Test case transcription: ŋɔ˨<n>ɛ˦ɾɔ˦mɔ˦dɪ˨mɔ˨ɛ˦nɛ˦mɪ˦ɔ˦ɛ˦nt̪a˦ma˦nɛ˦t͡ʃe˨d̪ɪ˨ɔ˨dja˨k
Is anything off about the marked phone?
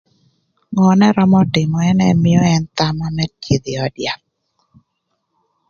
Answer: no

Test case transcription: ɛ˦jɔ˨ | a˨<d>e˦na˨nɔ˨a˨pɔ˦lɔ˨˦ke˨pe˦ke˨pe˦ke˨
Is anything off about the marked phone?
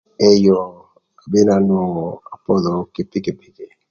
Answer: yes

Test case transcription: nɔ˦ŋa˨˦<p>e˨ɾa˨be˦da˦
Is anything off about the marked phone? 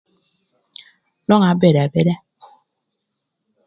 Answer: yes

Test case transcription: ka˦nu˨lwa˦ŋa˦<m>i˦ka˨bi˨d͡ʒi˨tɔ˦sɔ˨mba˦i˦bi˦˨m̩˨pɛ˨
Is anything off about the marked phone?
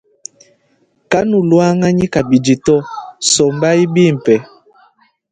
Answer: yes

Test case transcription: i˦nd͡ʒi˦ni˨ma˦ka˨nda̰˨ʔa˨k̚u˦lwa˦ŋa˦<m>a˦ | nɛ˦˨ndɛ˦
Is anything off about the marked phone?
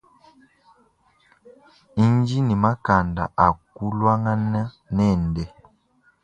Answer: yes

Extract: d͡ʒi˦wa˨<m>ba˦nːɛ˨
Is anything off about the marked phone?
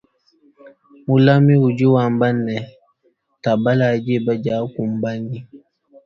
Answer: no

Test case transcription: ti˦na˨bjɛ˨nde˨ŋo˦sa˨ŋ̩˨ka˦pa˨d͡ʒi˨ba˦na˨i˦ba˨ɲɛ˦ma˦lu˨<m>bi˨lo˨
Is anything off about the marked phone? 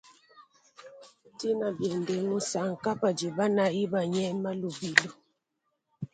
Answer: yes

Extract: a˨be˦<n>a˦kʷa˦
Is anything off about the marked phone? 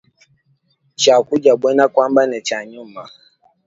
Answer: no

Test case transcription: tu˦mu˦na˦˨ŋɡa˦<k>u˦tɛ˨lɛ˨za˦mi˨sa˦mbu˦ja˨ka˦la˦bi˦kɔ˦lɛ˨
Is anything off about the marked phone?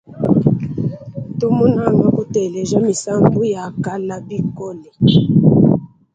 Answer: no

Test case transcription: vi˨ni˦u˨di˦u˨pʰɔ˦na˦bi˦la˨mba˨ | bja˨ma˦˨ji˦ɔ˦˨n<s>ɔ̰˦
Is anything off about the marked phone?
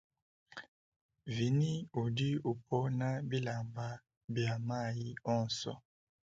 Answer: no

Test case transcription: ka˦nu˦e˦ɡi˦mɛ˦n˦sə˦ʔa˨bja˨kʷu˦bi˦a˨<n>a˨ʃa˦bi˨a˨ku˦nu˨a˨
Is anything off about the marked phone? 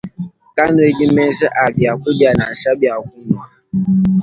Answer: no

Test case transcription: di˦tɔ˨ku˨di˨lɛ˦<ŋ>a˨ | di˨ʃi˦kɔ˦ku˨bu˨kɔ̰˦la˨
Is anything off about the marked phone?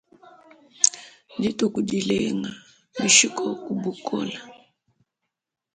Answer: no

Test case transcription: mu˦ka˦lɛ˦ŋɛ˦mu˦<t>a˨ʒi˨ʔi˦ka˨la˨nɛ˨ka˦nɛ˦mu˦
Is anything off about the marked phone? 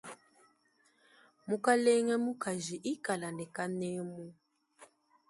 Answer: yes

